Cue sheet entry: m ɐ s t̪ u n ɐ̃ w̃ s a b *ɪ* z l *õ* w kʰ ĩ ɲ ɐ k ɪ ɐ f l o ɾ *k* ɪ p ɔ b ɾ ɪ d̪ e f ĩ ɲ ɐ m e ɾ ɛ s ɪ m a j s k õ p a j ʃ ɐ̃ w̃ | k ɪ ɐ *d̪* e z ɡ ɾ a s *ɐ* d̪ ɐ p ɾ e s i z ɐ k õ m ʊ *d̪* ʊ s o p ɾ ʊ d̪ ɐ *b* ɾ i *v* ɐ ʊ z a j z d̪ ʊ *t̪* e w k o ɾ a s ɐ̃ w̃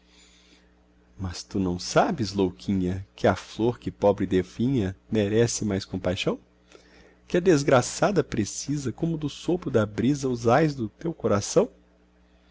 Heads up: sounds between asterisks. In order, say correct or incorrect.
correct, incorrect, correct, correct, incorrect, correct, correct, incorrect, correct

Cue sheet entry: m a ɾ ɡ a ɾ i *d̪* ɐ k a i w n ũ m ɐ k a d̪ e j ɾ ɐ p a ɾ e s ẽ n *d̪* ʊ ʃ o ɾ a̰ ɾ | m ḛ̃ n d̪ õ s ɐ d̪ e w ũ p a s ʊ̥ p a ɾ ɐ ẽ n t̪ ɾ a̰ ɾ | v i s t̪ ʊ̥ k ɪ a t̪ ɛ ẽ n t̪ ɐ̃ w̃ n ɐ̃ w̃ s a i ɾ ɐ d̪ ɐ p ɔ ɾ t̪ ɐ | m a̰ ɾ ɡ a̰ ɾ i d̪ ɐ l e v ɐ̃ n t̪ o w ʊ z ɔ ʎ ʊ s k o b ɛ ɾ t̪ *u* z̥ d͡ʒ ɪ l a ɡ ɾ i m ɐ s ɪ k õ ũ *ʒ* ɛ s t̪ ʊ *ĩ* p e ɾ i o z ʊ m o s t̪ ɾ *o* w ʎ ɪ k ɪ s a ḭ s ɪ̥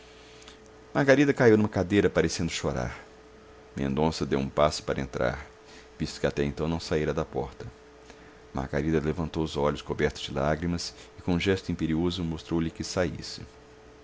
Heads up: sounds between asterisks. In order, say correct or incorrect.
correct, correct, incorrect, correct, correct, correct

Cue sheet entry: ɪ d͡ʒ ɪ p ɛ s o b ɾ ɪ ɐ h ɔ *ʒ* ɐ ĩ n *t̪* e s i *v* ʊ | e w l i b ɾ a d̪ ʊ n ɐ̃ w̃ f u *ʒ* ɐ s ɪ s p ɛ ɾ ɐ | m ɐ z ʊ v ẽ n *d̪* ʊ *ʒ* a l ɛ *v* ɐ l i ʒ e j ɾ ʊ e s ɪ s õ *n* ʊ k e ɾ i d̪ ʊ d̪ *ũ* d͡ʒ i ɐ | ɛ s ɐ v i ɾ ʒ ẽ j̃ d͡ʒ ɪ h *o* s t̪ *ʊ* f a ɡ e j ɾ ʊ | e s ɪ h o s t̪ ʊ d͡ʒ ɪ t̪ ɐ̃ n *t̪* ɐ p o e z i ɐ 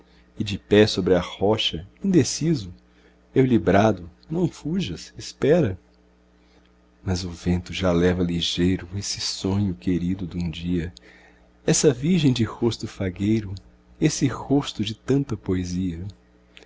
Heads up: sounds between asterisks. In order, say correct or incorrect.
incorrect, incorrect, incorrect, correct, incorrect, correct, correct, incorrect, correct, correct, correct, correct

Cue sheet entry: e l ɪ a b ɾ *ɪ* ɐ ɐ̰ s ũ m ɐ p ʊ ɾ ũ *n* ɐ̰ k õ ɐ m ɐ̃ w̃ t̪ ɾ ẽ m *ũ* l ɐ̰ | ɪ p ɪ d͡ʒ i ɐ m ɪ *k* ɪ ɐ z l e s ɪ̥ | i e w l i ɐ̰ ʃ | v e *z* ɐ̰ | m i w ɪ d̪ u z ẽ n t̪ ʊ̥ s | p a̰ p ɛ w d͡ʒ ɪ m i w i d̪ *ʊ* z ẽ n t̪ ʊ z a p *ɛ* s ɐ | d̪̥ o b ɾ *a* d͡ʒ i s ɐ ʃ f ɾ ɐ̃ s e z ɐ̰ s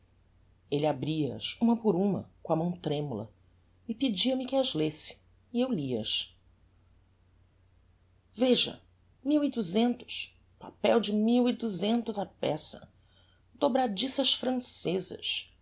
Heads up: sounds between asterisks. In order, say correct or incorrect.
incorrect, incorrect, incorrect, correct, incorrect, incorrect, correct, correct

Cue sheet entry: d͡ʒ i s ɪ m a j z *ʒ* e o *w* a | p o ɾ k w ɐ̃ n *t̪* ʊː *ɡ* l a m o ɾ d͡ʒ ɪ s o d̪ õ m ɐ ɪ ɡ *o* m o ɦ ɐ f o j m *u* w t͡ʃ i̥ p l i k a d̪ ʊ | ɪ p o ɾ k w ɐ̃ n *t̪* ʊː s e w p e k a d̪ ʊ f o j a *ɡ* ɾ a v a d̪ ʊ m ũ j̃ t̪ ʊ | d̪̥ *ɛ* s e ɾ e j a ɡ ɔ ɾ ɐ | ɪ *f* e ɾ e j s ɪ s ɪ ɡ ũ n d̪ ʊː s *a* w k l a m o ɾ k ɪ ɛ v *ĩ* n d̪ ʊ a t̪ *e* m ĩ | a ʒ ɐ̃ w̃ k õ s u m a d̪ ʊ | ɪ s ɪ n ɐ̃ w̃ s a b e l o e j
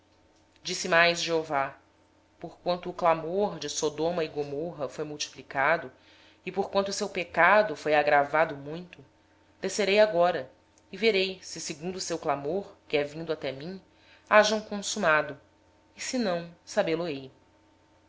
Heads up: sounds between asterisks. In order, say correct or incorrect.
correct, incorrect, correct, incorrect, correct, correct, correct, correct, incorrect, incorrect, incorrect, correct, incorrect

